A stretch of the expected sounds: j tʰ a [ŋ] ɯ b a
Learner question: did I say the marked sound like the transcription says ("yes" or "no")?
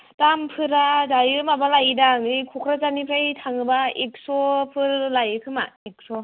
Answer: yes